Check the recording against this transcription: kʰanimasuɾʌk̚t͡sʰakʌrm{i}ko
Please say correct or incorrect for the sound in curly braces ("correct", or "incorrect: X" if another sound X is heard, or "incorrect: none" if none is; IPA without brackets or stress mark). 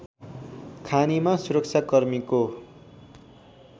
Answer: correct